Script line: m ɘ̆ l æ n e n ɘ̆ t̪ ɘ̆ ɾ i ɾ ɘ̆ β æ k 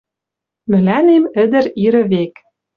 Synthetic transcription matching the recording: m ɘ̆ l æ n e m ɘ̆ d̪ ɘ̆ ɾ i ɾ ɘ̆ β e k